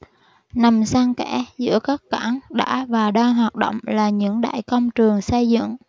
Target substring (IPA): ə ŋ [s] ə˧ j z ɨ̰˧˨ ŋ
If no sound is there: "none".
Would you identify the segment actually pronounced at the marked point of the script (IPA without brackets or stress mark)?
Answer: s